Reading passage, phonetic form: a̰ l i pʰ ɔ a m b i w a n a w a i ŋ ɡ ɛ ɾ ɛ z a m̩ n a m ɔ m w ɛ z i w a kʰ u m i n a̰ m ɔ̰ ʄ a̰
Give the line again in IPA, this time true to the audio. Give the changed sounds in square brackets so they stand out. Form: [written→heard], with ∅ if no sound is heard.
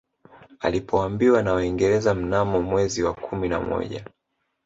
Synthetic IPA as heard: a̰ l i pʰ ɔ a m b i w a n a w a i ŋ ɡ ɛ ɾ ɛ z a m̩ n a m ɔ m w ɛ z i w a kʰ u m i n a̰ m ɔ̰ ʄ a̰

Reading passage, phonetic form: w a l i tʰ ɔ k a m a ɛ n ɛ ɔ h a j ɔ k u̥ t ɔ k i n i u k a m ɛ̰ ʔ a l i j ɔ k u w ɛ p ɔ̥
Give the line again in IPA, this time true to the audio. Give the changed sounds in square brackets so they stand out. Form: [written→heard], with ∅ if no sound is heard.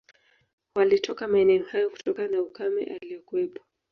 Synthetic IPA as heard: w a l i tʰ ɔ k a m a ɛ n ɛ ɔ h a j ɔ k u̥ t ɔ k [i→a] n [i→a] u k a m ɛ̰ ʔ a l i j ɔ k u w ɛ p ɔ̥

